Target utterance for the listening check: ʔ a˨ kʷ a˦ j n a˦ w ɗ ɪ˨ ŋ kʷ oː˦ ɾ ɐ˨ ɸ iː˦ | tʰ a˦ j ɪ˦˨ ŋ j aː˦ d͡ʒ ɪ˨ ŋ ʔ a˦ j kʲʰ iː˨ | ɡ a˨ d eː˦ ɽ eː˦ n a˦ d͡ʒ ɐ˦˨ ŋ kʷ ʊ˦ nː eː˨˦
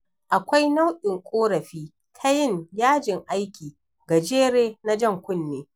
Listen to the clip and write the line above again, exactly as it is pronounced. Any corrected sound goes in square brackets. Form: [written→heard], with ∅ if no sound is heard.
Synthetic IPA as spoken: ʔ a˨ kʷ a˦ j n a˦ w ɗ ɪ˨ ŋ [kʷ→kʷʼ] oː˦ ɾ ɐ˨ ɸ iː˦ | tʰ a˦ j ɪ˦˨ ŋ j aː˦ d͡ʒ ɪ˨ ŋ ʔ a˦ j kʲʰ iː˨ | ɡ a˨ [d→d͡ʒ] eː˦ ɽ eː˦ n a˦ d͡ʒ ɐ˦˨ ŋ kʷ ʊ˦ nː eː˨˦